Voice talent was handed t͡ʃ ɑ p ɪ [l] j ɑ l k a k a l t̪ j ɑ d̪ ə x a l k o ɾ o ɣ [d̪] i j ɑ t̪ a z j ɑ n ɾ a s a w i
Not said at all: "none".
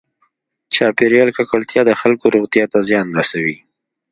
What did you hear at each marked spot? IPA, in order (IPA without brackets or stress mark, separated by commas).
ɾ, t̪